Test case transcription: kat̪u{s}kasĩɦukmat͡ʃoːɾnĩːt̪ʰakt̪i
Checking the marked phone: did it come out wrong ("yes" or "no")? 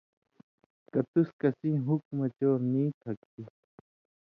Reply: no